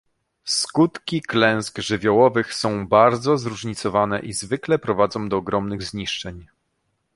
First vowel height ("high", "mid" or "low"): high